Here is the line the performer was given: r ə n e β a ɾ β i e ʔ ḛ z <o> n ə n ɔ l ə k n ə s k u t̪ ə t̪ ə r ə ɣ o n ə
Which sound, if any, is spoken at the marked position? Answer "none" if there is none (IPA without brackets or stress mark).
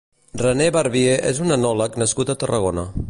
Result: u